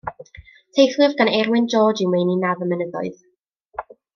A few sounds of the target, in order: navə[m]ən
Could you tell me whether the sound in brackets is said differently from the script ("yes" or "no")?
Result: no